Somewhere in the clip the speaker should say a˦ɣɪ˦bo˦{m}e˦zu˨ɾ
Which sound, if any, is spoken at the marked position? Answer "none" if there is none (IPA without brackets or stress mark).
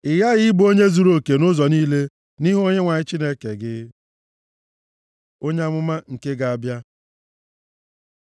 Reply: ɲ